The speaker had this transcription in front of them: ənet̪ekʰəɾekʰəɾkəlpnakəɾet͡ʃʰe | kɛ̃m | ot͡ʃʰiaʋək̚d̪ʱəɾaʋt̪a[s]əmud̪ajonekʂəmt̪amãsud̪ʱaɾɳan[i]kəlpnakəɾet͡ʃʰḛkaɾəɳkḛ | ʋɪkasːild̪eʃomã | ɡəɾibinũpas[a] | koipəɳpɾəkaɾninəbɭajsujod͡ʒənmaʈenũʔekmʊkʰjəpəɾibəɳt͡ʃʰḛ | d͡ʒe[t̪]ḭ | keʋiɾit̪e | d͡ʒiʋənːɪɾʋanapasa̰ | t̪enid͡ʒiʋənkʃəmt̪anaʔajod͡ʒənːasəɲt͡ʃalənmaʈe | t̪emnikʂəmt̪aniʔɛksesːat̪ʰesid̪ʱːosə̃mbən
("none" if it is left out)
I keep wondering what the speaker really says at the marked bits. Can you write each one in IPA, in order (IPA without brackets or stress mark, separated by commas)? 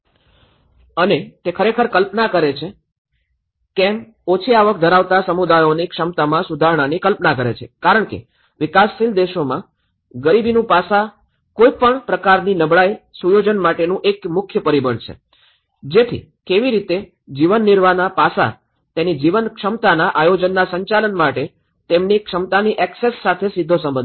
s, i, a, t̪ʰ